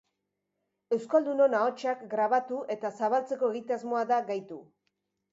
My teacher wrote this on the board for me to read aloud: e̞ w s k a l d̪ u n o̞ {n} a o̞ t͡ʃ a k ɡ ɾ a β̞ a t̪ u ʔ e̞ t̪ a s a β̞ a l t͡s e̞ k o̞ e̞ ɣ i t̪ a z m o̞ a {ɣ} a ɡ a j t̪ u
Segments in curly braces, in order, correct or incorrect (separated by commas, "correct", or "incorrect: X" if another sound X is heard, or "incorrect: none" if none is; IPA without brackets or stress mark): correct, incorrect: ð